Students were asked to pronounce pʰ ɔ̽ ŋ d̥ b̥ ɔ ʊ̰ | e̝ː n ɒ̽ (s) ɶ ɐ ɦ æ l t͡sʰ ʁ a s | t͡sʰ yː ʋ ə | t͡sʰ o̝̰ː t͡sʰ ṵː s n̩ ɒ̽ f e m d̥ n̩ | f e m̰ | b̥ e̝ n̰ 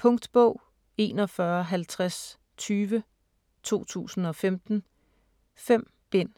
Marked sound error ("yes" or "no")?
yes